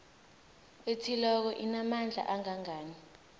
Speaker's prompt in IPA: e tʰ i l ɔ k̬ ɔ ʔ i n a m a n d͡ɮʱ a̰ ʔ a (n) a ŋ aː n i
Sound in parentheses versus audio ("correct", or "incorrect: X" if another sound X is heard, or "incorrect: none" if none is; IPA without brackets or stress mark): incorrect: ŋ